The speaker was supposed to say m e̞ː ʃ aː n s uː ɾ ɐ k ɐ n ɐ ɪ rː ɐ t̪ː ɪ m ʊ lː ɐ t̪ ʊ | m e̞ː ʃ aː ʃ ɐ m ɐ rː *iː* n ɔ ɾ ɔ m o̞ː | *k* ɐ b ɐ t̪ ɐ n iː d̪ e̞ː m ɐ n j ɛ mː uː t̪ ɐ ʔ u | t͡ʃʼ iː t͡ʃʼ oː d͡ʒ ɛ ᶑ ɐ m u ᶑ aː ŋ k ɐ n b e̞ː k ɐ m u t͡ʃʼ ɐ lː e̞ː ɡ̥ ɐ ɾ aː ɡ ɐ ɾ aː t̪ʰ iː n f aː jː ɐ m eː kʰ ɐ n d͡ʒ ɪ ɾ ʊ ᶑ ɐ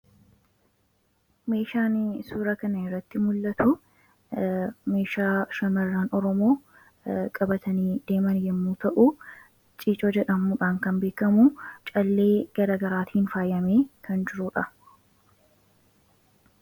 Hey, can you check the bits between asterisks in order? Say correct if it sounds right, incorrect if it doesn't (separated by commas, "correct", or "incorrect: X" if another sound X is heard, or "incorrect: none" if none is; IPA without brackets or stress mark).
incorrect: aː, incorrect: kʼ